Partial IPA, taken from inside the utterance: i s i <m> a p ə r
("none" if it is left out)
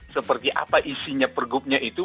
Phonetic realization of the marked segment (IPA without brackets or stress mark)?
ɲ